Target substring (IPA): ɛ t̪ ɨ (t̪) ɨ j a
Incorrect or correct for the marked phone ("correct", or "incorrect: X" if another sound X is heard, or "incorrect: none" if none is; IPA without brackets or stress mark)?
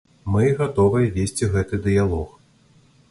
incorrect: d̪